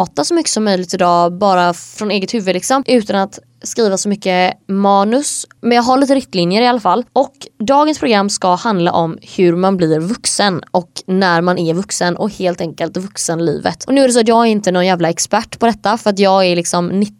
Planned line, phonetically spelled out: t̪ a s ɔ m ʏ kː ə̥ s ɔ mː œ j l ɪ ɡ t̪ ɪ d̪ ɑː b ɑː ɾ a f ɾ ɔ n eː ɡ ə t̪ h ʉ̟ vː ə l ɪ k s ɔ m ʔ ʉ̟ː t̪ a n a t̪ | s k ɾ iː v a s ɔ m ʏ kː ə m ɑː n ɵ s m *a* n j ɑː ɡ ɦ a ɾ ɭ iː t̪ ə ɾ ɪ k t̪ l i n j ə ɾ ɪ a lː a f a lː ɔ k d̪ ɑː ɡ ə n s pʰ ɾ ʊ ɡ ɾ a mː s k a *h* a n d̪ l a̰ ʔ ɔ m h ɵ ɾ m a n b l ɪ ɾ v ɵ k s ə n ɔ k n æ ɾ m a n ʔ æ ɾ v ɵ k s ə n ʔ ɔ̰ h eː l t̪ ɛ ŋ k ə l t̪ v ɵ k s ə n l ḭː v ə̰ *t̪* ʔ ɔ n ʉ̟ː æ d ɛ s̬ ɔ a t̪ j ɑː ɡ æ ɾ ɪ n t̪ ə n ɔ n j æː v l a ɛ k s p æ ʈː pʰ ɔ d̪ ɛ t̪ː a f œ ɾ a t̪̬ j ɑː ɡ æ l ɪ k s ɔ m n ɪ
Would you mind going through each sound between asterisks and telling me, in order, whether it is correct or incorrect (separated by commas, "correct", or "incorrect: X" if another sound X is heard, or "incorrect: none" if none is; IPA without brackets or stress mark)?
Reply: incorrect: ɛ, correct, correct